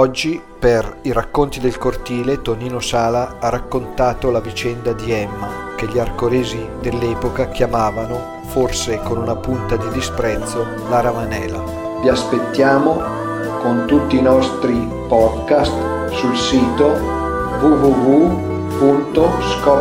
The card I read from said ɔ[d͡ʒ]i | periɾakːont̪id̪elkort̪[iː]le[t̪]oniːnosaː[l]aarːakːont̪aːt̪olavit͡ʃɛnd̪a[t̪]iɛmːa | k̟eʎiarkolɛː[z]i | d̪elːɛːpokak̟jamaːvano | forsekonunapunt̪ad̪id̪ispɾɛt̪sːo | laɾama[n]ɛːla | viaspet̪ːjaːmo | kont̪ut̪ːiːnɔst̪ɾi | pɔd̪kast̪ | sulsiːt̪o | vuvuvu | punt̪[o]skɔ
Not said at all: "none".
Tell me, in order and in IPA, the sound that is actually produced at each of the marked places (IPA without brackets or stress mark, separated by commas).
d͡ʒː, iː, t̪, l, d̪, z, n, o